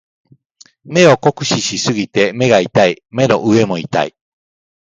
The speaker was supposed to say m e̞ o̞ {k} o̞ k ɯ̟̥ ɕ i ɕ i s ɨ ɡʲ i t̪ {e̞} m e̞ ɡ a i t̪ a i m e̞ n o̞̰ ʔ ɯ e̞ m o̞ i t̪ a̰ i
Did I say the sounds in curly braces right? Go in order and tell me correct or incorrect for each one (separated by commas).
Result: correct, correct